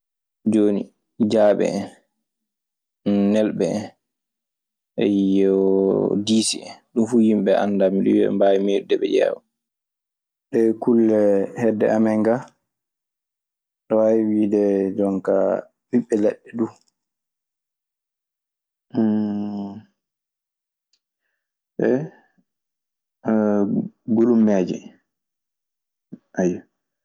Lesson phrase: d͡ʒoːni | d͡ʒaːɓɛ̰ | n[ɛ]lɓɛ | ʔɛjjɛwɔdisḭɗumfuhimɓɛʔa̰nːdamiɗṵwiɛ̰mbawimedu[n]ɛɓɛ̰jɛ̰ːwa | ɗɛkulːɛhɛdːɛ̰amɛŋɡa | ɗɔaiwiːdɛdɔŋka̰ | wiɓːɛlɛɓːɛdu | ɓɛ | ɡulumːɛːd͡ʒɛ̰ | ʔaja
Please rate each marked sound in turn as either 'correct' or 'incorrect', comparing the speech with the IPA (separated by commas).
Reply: correct, incorrect